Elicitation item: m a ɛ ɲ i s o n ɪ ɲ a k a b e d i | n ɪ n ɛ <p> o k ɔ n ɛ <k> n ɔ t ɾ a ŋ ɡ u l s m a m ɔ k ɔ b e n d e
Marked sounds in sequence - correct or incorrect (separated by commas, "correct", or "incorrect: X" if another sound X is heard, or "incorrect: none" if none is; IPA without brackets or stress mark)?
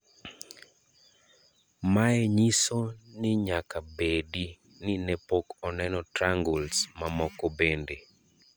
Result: correct, incorrect: none